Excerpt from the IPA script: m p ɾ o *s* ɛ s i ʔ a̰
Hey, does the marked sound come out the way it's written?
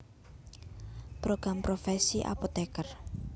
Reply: no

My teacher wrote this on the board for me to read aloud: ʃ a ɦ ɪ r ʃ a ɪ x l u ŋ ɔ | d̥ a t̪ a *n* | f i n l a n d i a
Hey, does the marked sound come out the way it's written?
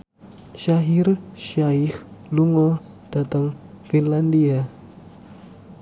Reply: no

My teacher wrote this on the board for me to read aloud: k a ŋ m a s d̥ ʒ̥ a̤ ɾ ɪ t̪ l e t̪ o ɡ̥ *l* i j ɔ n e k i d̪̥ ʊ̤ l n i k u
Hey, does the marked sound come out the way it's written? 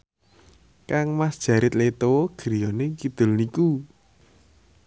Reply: no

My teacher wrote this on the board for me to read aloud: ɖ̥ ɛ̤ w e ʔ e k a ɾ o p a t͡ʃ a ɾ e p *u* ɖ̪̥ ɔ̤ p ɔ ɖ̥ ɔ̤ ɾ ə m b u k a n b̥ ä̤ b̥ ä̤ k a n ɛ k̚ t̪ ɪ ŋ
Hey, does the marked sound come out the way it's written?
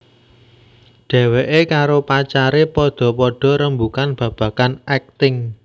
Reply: no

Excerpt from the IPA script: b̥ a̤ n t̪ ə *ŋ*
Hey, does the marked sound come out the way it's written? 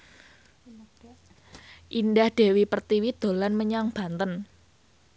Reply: no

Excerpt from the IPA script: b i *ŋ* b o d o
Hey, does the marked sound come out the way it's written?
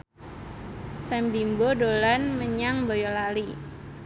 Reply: no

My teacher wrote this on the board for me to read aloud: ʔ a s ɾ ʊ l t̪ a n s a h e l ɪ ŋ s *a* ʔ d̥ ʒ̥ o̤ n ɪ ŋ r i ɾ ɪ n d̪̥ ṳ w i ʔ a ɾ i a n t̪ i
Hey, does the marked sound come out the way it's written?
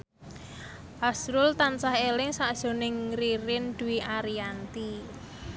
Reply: yes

